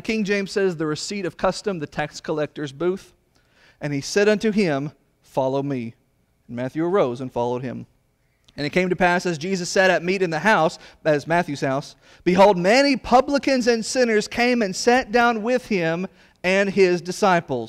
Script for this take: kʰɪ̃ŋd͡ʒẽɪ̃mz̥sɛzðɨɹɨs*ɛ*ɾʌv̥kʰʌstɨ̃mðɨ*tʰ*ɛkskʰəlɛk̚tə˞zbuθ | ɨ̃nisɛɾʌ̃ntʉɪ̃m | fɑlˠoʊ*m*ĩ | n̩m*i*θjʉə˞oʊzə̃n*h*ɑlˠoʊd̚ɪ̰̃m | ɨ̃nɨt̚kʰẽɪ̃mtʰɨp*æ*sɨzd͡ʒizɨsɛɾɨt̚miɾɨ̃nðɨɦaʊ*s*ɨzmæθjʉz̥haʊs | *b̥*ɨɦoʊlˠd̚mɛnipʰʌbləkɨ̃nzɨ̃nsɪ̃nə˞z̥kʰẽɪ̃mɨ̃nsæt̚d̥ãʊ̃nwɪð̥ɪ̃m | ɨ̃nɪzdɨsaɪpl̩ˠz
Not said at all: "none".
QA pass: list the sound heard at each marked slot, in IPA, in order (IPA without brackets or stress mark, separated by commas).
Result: i, tʰ, m, æ, f, æ, s, b̥